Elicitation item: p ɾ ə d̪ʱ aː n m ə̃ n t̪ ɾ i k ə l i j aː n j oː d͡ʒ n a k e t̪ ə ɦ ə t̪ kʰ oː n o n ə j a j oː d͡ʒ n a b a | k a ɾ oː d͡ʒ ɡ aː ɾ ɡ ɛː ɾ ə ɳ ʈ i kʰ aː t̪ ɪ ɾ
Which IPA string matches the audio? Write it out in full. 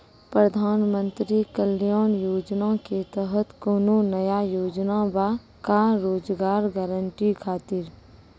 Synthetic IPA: p ɾ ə d̪ʱ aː n m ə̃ n t̪ ɾ i k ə l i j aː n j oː d͡ʒ n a k e t̪ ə ɦ ə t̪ k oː n o n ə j a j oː d͡ʒ n a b a | k a ɾ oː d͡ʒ ɡ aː ɾ ɡ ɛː ɾ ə ɳ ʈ i kʰ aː t̪ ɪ ɾ